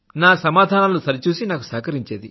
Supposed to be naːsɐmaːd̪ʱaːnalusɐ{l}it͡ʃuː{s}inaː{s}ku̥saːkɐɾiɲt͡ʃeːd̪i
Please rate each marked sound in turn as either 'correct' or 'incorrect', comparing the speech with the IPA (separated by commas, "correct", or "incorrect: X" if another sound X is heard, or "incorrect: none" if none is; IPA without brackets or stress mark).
incorrect: ɾ, correct, incorrect: none